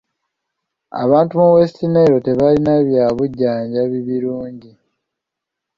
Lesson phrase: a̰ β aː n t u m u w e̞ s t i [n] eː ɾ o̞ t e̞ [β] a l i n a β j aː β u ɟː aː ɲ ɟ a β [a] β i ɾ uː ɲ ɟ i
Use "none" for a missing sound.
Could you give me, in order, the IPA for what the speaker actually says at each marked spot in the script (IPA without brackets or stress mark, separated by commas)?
n, β, i